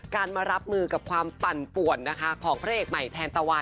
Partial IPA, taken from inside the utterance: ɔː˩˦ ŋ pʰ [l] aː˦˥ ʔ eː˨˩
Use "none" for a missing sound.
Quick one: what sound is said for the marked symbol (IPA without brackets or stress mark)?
ɾ